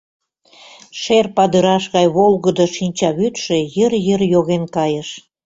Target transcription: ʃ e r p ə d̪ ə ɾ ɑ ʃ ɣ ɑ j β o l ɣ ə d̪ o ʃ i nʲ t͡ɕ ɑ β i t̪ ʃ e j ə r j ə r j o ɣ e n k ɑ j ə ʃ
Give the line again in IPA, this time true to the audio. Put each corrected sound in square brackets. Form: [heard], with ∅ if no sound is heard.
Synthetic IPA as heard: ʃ e r p [ɑ] d̪ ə ɾ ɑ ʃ ɣ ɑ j β o l ɣ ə d̪ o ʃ i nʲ t͡ɕ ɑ β [y] t̪ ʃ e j ə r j ə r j o ɣ e n k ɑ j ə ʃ

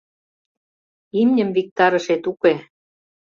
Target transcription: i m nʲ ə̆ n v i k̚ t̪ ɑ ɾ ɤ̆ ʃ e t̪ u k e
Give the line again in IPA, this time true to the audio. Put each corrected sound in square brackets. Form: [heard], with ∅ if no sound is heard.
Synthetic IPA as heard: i m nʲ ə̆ [m] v i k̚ t̪ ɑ ɾ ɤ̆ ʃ e t̪ u k e

